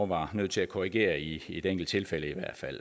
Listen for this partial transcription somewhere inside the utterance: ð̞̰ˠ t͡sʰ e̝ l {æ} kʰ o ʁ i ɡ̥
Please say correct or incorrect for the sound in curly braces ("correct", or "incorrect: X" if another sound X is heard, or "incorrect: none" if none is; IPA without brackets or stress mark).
correct